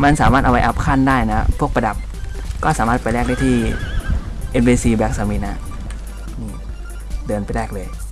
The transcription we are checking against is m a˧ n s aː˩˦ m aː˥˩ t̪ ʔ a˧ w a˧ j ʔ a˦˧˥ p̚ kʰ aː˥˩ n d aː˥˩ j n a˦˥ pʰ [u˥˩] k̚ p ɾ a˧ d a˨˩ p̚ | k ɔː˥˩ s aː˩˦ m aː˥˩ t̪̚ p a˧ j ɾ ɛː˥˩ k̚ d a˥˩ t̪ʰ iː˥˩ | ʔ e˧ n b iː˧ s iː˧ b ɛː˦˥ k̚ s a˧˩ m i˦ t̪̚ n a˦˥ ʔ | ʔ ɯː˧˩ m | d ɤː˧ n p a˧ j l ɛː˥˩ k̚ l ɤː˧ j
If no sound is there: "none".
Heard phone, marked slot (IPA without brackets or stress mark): u˥˩